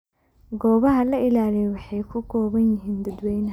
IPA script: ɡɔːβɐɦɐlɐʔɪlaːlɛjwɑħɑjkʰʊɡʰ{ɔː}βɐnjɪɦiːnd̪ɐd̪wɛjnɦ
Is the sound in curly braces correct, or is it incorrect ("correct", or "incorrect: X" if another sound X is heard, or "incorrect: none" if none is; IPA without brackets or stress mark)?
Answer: correct